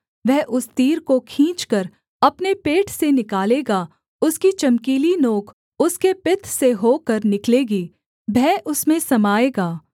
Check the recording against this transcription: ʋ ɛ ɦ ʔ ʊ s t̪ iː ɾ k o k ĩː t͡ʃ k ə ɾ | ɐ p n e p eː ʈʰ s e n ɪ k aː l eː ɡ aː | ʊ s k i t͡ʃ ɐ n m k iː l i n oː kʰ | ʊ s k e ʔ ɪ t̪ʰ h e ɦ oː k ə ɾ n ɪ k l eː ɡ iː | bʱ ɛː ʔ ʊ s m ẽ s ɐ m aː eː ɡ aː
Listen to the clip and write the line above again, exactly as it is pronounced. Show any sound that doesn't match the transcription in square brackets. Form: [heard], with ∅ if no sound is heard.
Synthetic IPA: ʋ ɛ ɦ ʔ ʊ s t̪ iː ɾ k o [kʰ] ĩː t͡ʃ k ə ɾ | ɐ p n e p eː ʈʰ s e n ɪ k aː l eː ɡ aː | ʊ s k i t͡ʃ ɐ [∅] m k iː l i n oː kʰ | ʊ s k e [p] ɪ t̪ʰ [s] e ɦ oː k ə ɾ n ɪ k l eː ɡ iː | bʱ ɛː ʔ ʊ s m ẽ s ɐ m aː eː ɡ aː